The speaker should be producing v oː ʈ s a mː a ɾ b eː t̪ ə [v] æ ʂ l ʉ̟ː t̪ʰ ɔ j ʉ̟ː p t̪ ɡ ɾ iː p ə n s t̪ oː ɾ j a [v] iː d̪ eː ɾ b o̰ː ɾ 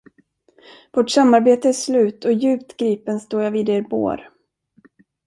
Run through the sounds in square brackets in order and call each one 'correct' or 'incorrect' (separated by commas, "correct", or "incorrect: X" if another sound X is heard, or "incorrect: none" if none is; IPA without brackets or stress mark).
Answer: incorrect: none, correct